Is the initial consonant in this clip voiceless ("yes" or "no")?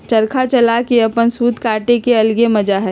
yes